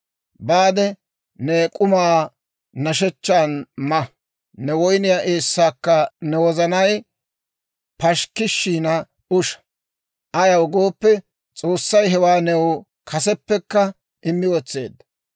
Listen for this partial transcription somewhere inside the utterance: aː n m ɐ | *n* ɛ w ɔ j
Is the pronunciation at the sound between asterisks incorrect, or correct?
correct